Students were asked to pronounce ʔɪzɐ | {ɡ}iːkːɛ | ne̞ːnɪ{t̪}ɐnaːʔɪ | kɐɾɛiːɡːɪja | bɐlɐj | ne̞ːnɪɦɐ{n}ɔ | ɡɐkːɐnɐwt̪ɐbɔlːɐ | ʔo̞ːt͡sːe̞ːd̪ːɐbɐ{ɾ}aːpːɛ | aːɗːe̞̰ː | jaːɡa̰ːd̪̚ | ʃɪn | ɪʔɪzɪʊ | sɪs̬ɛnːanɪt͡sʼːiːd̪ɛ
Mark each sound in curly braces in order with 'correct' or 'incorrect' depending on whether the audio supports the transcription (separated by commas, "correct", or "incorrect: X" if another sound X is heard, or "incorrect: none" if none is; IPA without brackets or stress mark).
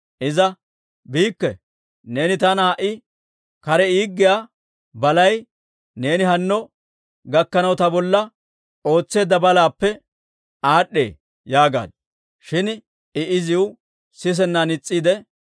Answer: incorrect: b, correct, incorrect: nː, incorrect: l